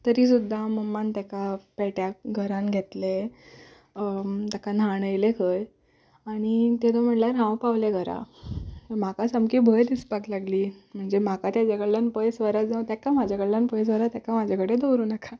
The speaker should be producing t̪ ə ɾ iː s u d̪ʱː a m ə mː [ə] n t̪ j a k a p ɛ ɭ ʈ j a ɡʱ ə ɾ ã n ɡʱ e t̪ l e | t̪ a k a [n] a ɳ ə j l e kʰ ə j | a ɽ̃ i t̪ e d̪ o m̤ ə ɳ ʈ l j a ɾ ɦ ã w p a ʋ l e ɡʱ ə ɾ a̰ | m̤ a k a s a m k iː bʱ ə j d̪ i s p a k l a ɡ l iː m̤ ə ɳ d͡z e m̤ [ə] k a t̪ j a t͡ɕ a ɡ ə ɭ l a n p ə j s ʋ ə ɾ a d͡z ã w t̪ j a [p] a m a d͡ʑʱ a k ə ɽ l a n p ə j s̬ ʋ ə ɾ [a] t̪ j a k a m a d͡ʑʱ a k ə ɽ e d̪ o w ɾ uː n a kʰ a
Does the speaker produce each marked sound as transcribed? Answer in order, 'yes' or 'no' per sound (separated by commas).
no, yes, no, no, yes